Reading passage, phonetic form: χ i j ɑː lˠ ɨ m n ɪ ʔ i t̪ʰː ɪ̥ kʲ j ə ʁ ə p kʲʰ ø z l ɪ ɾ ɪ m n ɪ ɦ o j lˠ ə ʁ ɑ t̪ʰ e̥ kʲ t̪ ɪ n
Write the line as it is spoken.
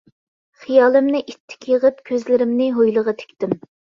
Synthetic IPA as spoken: χ i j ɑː lˠ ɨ m n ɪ ʔ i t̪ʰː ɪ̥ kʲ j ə ʁ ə p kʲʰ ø z l ɪ ɾ ɪ m n ɪ ɦ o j lˠ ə ʁ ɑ t̪ʰ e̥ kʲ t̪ ɪ m